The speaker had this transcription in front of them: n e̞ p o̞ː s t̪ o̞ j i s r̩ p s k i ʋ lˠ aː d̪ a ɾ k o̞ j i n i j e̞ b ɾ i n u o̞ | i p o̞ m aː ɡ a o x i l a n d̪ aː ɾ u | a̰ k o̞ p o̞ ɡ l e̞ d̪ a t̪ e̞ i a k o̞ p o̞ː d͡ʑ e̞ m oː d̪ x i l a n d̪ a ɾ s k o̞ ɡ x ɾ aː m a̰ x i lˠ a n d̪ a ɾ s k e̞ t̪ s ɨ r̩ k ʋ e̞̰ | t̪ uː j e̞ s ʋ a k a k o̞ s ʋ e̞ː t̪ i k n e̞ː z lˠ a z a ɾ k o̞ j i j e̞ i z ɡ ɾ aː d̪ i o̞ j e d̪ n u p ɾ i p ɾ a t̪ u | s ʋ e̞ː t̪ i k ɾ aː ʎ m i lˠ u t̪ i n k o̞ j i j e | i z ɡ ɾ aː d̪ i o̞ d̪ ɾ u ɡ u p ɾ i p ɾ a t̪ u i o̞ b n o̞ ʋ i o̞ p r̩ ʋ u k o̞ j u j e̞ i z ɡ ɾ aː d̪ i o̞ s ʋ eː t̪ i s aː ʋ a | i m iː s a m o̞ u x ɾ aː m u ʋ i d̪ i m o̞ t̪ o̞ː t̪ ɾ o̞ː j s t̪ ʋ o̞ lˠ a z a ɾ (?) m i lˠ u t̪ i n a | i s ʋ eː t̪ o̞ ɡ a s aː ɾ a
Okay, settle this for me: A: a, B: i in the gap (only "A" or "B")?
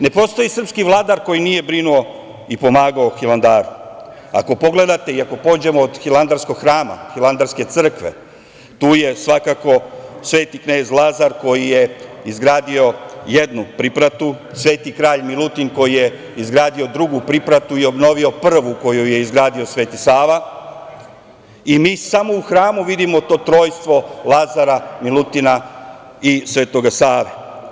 A